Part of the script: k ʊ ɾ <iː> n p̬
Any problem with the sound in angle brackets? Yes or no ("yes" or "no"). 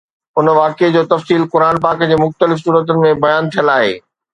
yes